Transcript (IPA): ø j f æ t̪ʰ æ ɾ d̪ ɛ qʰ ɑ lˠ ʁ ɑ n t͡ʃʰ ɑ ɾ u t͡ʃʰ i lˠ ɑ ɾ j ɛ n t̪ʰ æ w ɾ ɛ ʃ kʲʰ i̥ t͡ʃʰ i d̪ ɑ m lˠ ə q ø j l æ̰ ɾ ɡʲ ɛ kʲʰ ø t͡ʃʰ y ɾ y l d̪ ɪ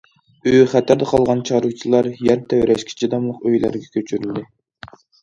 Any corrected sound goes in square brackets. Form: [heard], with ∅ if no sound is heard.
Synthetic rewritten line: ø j [χ] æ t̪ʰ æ ɾ d̪ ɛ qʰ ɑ lˠ ʁ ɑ n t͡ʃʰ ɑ ɾ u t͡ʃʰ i lˠ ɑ ɾ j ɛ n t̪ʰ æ w ɾ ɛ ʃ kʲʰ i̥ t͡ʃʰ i d̪ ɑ m lˠ ə q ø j l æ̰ ɾ ɡʲ ɛ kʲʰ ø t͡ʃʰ y ɾ y l d̪ ɪ